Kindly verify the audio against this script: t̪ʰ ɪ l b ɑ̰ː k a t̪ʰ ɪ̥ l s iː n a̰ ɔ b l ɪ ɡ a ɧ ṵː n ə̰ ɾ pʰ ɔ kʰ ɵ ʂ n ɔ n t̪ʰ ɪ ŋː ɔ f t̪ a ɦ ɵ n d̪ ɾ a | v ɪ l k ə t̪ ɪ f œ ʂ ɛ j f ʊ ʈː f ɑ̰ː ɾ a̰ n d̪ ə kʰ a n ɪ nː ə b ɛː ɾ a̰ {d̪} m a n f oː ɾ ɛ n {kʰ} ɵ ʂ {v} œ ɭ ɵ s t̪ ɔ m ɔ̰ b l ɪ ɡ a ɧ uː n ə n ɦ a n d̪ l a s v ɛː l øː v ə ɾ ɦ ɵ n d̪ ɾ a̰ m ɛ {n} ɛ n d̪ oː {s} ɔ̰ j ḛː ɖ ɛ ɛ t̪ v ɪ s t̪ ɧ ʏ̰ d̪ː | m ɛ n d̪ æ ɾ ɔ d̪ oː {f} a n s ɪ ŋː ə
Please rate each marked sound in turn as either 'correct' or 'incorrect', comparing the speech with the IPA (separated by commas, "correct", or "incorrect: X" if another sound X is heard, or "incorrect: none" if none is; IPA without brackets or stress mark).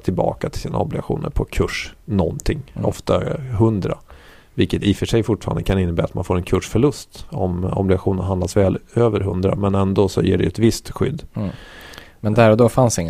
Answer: incorrect: t̪, correct, incorrect: f, correct, correct, correct